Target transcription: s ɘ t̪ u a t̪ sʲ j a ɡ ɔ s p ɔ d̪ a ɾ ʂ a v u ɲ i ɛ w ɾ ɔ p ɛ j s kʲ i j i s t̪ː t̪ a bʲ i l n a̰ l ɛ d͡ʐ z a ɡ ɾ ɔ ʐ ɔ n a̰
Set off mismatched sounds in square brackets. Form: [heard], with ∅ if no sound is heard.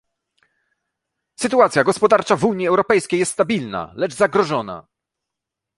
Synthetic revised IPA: s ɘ t̪ u a t̪ sʲ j a ɡ ɔ s p ɔ d̪ a ɾ [t͡ʂ] a v u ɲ i ɛ w ɾ ɔ p ɛ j s kʲ [e] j [ɛ] s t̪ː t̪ a bʲ i l n a̰ l ɛ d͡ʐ z a ɡ ɾ ɔ ʐ ɔ n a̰